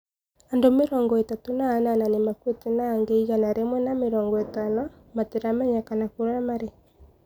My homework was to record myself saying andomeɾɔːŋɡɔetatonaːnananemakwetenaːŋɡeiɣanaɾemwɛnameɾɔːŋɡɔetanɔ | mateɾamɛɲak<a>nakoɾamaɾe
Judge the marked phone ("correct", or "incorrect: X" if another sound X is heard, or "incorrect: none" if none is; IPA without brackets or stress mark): correct